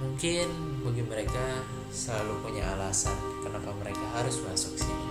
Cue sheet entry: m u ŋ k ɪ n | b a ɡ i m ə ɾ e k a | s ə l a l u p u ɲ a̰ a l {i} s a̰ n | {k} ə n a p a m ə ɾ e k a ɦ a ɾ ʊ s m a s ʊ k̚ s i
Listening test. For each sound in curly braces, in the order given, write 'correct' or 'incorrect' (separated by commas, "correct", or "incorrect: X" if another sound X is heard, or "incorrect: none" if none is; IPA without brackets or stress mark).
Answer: incorrect: a, correct